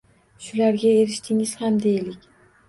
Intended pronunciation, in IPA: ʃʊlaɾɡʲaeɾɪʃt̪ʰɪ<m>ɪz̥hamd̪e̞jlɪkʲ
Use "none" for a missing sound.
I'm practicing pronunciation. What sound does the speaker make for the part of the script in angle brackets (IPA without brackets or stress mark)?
ŋ